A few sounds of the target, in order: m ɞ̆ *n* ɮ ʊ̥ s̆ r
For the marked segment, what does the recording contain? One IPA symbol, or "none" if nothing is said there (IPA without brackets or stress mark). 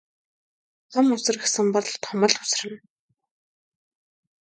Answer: none